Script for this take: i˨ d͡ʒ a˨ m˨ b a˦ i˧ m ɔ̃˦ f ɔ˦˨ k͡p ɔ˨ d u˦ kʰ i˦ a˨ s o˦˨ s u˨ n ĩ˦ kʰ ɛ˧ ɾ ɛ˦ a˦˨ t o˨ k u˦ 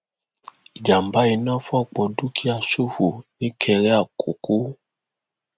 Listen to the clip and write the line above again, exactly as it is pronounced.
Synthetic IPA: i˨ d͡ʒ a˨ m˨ b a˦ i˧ n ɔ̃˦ f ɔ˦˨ k͡p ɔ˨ d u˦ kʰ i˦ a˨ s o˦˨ f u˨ n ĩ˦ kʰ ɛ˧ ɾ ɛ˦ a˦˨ k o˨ k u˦